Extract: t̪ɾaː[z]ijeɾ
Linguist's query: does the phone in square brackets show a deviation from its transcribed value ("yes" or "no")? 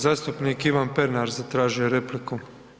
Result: yes